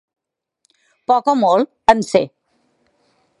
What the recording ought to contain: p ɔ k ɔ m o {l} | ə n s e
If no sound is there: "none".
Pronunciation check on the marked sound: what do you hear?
l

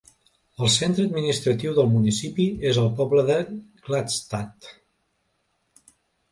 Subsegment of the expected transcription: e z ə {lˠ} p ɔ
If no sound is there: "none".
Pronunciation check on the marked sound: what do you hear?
lˠ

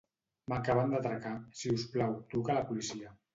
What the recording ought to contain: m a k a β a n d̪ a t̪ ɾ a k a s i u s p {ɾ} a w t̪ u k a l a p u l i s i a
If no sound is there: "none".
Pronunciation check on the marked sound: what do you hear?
l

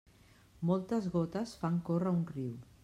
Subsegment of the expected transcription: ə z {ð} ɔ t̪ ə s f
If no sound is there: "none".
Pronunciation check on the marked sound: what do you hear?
ɣ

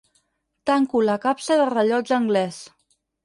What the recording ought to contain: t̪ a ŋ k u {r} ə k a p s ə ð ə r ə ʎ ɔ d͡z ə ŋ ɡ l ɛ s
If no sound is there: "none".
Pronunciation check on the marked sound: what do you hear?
l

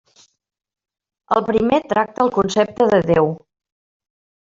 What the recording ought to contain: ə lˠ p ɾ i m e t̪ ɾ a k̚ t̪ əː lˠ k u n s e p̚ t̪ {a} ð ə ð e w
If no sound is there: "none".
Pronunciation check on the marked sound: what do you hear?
ə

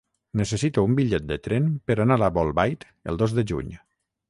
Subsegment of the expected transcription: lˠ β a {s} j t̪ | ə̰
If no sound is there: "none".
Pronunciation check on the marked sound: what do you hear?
none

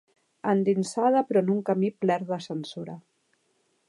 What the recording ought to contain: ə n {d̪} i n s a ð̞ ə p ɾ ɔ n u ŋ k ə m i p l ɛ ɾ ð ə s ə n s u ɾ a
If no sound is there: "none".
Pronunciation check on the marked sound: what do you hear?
d̪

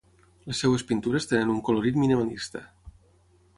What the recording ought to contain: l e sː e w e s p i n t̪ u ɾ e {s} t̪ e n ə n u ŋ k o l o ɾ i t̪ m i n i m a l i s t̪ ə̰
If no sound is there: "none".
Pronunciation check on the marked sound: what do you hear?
s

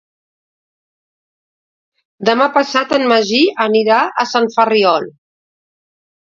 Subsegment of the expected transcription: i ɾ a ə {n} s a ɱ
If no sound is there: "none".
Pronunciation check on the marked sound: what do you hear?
none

